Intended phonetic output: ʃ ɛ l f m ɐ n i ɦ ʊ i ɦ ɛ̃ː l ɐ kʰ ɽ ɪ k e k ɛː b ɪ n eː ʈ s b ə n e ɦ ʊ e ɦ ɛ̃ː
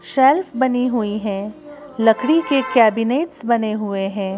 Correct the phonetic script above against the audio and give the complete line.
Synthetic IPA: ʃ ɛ l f b ɐ n i ɦ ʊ i ɦ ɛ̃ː l ɐ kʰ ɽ i k e k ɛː b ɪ n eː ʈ s b ɐ n e ɦ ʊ e ɦ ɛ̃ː